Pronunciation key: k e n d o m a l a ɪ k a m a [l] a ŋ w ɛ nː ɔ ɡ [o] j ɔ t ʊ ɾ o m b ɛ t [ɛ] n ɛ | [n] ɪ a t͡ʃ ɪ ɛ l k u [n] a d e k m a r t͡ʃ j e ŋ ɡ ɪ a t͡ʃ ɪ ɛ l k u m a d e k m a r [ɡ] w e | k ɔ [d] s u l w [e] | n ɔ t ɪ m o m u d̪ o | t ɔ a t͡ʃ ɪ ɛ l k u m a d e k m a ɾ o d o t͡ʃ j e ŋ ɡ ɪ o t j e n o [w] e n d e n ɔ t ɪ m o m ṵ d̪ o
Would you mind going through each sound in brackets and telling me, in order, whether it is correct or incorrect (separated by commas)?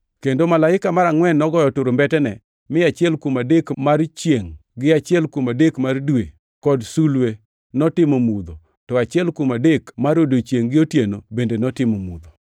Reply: incorrect, incorrect, correct, incorrect, incorrect, incorrect, correct, correct, incorrect